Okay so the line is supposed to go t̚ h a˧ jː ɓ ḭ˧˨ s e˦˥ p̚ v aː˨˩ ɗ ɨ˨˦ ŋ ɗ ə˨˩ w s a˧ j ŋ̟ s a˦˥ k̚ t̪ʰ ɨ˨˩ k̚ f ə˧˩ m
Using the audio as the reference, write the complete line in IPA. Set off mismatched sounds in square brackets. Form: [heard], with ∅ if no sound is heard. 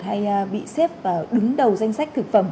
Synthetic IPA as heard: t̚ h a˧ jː ɓ ḭ˧˨ s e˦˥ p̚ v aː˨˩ ɗ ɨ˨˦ ŋ ɗ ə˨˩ w [z] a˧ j ŋ̟ s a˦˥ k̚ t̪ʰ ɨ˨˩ k̚ f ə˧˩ m